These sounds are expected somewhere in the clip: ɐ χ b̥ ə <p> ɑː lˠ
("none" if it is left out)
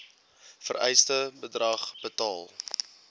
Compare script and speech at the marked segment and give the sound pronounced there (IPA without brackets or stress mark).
t